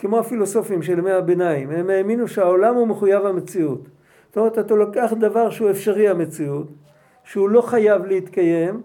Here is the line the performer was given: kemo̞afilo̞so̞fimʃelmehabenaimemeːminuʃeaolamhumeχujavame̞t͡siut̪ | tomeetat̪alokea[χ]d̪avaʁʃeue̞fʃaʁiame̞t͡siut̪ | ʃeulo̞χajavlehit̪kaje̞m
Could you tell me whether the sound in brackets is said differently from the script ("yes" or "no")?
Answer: no